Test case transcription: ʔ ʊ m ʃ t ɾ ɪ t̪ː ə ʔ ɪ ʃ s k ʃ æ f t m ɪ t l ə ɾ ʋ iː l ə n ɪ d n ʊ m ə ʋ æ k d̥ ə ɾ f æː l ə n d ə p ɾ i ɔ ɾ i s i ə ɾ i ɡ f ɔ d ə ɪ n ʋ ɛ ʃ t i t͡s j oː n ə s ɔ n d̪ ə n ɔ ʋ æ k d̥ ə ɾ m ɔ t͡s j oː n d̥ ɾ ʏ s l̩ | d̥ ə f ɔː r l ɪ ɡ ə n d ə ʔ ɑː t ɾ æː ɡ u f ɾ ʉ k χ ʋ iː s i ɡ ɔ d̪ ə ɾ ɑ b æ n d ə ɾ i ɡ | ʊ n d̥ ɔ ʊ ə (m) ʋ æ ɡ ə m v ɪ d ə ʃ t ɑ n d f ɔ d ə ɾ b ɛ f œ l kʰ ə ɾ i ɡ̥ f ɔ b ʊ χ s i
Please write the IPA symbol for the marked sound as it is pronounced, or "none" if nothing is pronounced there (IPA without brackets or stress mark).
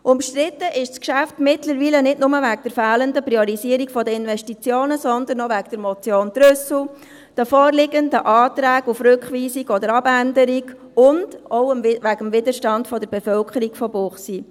m